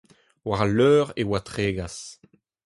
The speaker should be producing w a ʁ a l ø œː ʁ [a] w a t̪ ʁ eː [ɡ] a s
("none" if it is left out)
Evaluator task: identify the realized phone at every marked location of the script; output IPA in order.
e, ɡ

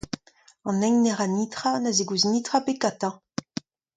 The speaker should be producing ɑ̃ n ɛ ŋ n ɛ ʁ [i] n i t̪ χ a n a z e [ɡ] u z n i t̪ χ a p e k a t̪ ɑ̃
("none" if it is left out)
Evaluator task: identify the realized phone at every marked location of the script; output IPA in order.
a, ɡ

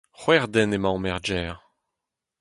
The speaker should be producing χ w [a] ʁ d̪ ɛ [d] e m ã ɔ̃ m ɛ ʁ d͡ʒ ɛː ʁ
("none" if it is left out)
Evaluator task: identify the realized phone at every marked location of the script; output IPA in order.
ɛ, n

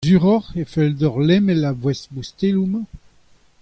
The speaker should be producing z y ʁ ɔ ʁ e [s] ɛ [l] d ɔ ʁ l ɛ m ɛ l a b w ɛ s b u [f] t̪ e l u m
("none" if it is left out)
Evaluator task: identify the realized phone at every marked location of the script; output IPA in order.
f, l, s

